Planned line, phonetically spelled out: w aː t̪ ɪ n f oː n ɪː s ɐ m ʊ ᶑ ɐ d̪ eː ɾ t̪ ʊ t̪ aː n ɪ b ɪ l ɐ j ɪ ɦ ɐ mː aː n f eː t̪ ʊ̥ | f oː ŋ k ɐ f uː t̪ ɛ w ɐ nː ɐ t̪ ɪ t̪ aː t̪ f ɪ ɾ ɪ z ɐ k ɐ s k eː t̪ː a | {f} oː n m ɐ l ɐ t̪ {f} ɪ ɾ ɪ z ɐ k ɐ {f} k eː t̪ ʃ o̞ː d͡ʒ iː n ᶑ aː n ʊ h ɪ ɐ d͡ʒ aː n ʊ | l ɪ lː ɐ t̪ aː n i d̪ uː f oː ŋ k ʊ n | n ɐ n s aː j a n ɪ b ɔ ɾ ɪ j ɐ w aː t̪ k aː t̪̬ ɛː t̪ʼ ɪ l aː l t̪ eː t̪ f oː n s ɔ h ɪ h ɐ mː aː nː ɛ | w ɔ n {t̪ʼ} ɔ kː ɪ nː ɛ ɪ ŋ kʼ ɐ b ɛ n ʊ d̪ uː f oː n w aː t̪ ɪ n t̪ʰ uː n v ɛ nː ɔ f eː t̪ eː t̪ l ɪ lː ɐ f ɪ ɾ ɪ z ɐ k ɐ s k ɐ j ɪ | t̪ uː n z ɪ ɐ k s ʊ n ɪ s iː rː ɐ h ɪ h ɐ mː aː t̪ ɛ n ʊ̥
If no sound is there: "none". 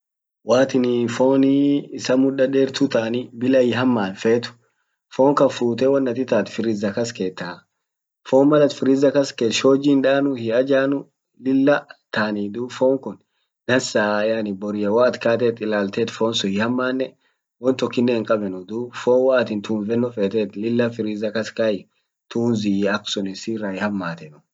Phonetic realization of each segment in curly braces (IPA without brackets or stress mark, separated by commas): f, f, s, t̪